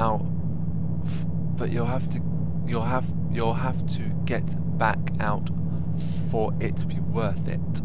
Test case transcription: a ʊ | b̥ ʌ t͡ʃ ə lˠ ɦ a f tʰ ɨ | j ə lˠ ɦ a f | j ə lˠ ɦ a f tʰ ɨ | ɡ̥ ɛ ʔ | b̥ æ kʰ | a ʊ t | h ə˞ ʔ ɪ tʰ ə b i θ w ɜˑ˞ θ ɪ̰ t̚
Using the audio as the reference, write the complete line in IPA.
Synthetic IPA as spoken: a ʊ | b̥ ʌ t͡ʃ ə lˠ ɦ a f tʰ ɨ | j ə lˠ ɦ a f | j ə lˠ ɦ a f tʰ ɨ | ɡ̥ ɛ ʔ | b̥ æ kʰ | a ʊ t | f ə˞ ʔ ɪ tʰ ə b i w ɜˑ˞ θ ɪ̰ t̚